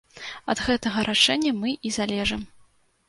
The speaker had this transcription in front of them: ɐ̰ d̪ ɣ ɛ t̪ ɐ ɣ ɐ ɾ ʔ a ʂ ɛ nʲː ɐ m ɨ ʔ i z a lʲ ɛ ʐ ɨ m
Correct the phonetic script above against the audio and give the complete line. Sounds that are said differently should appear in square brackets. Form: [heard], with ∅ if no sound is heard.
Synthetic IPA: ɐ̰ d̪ ɣ ɛ t̪ ɐ ɣ ɐ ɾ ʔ a ʂ ɛ nʲː ɐ m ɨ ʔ i z a lʲ ɛ ʐ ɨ m